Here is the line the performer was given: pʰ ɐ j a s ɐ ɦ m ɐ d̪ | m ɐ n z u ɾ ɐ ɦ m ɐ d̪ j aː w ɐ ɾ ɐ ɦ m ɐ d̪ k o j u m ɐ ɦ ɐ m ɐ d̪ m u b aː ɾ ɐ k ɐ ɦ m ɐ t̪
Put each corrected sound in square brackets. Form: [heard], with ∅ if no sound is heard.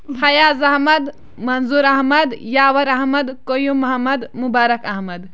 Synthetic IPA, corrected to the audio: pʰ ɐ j a [z] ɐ ɦ m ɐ d̪ | m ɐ n z u ɾ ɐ ɦ m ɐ d̪ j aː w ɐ ɾ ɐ ɦ m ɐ d̪ k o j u m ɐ ɦ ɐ m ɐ d̪ m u b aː ɾ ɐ k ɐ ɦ m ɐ [d̪]